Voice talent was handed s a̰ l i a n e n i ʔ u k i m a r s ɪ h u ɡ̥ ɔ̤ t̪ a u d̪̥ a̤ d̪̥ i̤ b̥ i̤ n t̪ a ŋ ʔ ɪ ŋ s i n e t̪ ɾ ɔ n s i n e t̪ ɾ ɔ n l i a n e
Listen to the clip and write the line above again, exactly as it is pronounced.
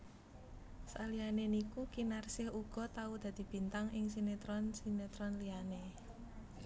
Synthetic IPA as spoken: s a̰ l i a n e n i k u k i n a r s ɪ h u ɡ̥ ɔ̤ t̪ a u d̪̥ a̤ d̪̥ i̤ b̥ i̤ n t̪ a ŋ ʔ ɪ ŋ s i n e t̪ ɾ ɔ n s i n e t̪ ɾ ɔ n l i a n e